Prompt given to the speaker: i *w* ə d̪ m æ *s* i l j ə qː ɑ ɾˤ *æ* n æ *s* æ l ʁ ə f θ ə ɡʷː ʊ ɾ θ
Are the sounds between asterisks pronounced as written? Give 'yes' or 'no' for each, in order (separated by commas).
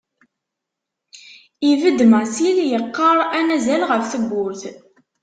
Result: no, yes, yes, no